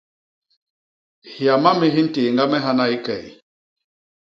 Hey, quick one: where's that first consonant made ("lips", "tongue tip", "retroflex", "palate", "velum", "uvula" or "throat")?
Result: throat